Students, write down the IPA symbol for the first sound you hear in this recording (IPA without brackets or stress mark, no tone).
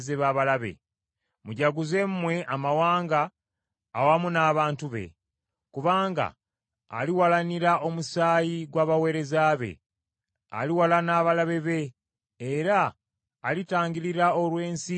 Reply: z